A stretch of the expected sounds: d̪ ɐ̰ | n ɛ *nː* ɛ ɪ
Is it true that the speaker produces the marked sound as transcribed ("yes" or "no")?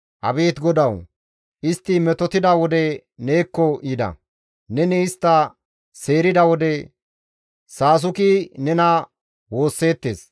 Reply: no